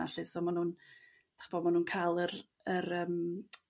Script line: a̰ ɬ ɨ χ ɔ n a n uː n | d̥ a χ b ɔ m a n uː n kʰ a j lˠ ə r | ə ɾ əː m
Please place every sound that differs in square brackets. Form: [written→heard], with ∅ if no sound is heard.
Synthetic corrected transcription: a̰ ɬ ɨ [χ→s] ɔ [n→m] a n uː n | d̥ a χ b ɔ m a n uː n kʰ a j lˠ ə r | ə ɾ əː m